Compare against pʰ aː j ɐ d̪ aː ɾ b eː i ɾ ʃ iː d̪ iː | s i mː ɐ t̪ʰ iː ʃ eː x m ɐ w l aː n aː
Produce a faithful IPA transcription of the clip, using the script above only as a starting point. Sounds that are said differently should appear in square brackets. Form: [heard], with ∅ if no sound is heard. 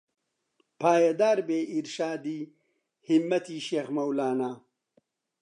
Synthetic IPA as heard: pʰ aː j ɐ d̪ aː ɾ b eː i ɾ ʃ [aː] d̪ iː | [h] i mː ɐ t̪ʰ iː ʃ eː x m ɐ w l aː n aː